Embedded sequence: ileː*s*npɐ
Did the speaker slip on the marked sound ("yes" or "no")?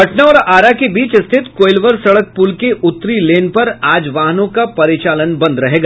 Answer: yes